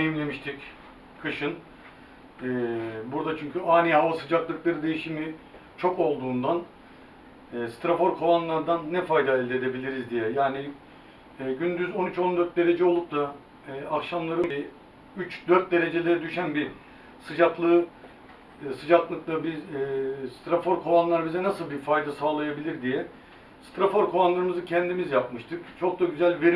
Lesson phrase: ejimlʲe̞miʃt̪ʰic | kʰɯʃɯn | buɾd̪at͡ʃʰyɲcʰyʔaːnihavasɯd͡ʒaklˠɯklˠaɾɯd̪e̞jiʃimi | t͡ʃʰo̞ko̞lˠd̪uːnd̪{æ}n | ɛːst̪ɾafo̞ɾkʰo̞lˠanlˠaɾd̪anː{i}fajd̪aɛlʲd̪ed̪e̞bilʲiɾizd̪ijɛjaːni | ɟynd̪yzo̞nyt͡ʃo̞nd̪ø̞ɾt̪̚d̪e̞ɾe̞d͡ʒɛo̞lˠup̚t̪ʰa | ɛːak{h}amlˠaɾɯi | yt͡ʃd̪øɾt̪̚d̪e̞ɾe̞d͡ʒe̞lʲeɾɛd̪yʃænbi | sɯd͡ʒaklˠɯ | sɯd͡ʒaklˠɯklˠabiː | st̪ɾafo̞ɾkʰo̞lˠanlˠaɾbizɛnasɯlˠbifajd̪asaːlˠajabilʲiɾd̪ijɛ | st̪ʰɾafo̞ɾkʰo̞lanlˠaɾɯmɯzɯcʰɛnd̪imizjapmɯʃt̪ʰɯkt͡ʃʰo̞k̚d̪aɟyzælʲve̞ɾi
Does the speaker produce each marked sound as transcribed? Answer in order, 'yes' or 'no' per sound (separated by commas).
no, no, no